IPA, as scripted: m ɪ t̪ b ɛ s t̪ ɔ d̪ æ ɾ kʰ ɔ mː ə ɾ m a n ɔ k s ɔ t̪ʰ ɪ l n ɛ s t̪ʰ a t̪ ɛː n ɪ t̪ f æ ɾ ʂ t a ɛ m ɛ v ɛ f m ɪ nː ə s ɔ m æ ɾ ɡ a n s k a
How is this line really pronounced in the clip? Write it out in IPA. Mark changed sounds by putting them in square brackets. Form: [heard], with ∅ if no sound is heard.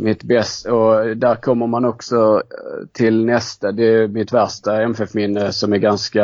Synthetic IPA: m ɪ t̪ b ɛ s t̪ ɔ d̪ æ ɾ kʰ ɔ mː ə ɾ m a n ɔ k s ɔ t̪ʰ ɪ l n ɛ s [t̪] a [d̪] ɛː [m] ɪ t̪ [v] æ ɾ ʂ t a ɛ m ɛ [f] ɛ f m ɪ nː ə s ɔ m æ ɾ ɡ a n s k a